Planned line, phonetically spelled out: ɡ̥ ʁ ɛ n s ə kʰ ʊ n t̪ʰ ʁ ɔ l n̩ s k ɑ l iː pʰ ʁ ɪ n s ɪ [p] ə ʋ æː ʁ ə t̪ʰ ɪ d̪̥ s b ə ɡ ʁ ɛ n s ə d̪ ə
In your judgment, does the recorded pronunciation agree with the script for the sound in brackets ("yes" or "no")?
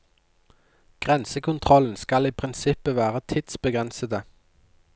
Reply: yes